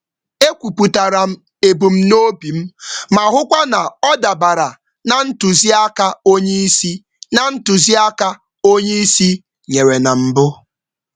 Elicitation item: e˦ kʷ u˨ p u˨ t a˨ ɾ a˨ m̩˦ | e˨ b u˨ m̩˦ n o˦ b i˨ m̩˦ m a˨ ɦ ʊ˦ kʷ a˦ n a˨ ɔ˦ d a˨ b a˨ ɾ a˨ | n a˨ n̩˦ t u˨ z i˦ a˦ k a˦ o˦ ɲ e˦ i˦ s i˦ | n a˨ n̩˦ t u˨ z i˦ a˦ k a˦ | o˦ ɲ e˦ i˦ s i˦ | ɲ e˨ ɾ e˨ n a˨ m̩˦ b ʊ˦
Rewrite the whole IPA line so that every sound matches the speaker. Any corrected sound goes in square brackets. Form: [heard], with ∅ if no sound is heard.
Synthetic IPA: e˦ kʷ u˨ p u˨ t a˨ ɾ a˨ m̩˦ | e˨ b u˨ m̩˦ n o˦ b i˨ m̩˦ m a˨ ɦ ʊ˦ kʷ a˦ n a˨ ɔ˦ d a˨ b a˨ ɾ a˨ | n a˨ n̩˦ t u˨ z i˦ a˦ k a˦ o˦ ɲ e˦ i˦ s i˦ | n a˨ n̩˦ t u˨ z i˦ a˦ k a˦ | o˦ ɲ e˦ i˦ s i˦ | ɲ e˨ ɾ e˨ n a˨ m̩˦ b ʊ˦